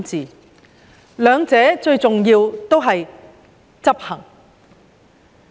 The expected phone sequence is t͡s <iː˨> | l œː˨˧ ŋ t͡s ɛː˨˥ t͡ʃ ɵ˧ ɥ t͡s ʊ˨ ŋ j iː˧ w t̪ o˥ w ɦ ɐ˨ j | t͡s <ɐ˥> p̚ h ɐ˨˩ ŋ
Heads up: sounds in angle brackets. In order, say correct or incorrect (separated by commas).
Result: correct, correct